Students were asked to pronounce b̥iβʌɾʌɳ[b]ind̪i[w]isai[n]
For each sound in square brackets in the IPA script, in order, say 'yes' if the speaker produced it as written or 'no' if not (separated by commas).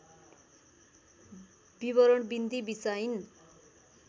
yes, no, yes